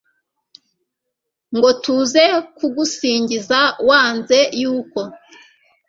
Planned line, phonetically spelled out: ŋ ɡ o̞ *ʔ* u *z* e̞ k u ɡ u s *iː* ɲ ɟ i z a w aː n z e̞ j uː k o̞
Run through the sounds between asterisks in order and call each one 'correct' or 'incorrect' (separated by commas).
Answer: incorrect, correct, correct